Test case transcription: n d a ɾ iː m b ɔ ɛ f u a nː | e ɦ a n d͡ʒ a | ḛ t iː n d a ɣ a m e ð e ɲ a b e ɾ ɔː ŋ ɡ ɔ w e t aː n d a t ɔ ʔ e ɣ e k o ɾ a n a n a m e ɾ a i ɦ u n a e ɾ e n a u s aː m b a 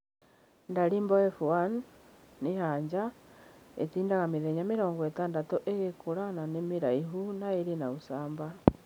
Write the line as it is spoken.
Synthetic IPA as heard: n d a ɾ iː m b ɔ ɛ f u a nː | e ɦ a ɲ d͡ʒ a | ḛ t iː n d a ɣ a m e ð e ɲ a m e ɾ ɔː ŋ ɡ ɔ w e t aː n d a t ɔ ʔ e ɣ e k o ɾ a n a n e m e ɾ a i ɦ u n a e ɾ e n a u s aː m b a